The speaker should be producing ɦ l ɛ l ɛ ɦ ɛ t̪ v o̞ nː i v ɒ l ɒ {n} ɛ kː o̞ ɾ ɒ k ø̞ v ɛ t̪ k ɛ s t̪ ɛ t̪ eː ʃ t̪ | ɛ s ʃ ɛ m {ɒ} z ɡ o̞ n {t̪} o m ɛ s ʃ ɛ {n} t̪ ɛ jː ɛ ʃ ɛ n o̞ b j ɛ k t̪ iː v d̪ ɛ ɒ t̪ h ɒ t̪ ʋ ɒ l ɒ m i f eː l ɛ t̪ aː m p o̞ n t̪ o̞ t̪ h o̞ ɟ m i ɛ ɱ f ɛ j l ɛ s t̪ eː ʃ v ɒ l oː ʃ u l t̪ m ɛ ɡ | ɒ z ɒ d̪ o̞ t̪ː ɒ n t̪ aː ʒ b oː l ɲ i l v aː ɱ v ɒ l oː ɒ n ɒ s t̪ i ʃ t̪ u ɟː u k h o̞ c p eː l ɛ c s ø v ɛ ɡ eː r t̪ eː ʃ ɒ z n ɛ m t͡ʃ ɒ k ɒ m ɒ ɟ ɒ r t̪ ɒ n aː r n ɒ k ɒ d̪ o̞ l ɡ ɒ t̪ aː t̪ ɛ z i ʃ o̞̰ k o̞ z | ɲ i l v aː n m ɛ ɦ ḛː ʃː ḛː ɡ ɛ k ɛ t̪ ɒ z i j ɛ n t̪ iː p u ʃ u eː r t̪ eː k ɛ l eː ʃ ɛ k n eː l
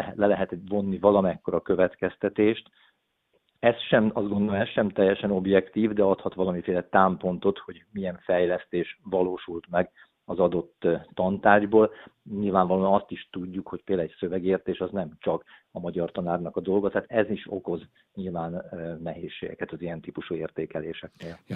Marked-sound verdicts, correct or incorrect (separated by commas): incorrect, correct, incorrect, incorrect